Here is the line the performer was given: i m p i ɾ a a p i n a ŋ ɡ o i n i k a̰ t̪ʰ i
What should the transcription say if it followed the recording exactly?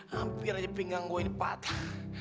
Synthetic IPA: a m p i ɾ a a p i ŋ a ŋ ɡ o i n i p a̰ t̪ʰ a